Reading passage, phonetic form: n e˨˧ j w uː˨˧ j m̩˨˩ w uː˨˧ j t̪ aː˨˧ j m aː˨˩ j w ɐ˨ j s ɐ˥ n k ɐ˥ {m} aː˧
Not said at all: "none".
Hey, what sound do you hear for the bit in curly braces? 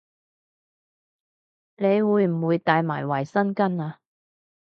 n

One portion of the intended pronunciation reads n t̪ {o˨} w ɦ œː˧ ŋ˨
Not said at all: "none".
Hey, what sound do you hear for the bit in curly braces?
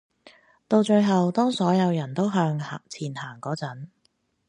o˥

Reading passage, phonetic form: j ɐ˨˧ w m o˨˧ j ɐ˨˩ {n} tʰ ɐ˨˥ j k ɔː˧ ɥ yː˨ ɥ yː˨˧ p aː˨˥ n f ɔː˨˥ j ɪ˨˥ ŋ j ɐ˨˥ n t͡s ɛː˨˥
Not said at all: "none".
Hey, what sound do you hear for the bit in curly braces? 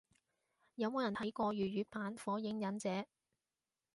n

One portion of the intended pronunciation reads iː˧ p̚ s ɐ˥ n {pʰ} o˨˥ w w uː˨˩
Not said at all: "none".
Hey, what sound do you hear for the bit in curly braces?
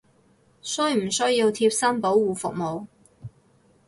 p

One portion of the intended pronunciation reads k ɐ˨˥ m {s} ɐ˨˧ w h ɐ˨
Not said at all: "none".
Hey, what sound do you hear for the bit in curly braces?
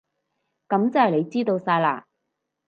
t͡s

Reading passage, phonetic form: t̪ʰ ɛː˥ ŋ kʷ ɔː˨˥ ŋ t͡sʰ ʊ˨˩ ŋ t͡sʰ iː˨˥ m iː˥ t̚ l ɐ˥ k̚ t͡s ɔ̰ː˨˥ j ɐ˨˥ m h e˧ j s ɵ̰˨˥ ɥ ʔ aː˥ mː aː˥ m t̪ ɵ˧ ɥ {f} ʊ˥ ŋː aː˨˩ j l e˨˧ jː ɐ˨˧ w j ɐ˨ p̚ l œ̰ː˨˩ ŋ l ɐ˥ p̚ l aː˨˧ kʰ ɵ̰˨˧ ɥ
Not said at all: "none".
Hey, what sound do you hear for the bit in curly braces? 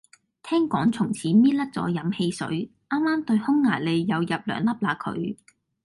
h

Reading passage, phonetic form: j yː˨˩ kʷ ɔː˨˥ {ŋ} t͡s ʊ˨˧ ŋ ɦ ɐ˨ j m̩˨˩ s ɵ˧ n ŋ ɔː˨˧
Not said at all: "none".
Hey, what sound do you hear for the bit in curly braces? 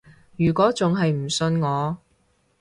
none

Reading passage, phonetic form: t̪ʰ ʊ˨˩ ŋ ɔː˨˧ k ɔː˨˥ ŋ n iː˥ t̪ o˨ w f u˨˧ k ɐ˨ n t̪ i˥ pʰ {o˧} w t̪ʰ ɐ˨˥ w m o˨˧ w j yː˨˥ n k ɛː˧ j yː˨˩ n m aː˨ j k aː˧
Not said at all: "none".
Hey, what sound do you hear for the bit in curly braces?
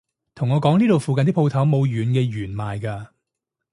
o˧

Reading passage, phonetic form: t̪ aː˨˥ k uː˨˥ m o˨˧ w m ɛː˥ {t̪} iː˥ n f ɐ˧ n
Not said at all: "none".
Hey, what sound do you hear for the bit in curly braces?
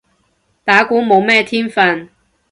t̪ʰ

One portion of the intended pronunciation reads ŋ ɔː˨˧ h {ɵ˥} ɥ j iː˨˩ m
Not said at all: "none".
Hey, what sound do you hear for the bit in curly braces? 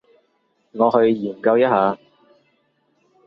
ɵ˧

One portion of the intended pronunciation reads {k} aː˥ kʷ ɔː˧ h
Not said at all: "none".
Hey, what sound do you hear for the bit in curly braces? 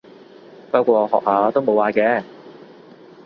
p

